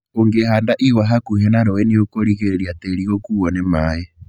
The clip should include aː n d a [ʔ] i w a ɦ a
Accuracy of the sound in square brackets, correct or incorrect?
correct